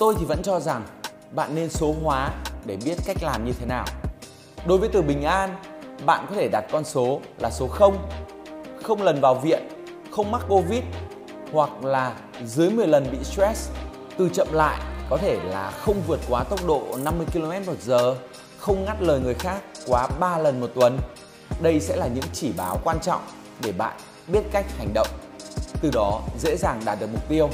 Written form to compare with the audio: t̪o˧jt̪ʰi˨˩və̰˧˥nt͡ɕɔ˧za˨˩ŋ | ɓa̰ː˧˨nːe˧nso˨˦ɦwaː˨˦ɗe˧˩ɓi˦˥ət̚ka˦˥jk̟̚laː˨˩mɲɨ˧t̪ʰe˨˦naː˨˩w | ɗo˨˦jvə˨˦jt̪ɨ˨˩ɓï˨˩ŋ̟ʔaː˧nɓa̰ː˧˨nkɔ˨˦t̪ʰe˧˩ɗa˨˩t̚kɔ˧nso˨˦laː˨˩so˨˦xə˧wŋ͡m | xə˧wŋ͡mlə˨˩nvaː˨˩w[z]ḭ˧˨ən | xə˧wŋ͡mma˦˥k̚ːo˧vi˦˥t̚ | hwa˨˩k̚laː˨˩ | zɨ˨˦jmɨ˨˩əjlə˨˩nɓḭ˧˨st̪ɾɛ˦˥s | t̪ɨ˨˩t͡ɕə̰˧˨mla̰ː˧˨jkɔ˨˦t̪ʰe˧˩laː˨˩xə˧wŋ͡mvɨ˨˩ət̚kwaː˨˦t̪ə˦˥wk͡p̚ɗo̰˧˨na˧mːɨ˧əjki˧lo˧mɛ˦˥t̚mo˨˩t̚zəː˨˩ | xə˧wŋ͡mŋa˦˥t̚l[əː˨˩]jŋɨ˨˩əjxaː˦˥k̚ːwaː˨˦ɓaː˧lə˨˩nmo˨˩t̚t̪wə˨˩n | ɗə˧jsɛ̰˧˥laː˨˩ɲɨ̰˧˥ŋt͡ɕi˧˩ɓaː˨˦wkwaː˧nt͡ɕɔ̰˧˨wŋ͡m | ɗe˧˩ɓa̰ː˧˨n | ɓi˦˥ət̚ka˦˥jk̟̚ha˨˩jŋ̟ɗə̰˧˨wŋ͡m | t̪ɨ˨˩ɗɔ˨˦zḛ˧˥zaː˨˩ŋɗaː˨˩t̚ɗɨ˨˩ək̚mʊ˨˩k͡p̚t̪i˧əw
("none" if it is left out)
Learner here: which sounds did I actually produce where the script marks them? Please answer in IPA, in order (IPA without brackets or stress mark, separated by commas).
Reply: v, əː˨˩